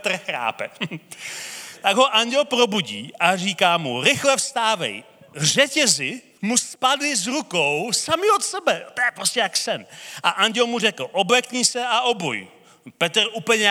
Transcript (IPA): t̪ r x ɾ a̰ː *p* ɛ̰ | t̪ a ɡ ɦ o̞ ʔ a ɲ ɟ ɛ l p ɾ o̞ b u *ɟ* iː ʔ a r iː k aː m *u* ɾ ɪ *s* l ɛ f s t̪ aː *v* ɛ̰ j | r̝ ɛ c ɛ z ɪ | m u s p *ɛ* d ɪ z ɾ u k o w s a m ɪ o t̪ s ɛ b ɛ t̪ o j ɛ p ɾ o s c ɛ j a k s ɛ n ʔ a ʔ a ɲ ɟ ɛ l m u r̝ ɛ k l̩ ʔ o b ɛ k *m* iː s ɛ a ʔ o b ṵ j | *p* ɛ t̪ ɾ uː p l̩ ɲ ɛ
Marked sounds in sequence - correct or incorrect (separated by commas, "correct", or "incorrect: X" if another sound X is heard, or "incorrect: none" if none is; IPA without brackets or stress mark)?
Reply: correct, correct, correct, incorrect: x, correct, incorrect: a, incorrect: ɲ, correct